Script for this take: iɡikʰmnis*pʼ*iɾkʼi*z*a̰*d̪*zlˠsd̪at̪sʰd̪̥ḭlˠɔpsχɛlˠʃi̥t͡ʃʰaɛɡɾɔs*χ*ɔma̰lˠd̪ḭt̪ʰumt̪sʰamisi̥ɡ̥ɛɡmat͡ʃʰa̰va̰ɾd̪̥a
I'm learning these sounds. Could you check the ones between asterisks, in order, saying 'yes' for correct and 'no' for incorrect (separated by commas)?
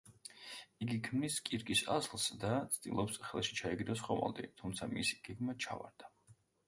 no, no, no, yes